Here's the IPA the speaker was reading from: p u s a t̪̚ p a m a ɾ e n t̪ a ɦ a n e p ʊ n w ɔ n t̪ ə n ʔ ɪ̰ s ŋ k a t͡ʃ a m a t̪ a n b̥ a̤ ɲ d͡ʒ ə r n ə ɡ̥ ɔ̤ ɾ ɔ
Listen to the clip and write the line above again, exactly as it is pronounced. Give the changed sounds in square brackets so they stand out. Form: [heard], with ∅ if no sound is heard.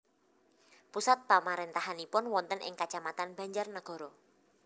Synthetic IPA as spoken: p u s a t̪̚ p a m a ɾ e n t̪ a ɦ a n [i] p ʊ n w ɔ n t̪ ə n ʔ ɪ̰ [∅] ŋ k a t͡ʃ a m a t̪ a n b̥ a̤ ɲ d͡ʒ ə r n ə ɡ̥ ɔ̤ ɾ ɔ